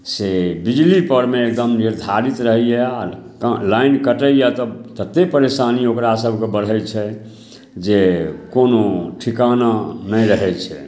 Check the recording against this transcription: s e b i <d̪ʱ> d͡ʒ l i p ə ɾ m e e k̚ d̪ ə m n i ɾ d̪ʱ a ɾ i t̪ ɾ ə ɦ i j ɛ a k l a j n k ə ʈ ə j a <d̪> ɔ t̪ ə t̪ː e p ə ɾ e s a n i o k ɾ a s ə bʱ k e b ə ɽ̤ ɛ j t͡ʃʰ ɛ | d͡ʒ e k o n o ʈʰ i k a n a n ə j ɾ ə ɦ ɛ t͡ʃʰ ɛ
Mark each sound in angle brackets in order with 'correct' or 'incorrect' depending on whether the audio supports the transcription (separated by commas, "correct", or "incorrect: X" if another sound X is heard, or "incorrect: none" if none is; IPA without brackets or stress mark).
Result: incorrect: none, incorrect: t̪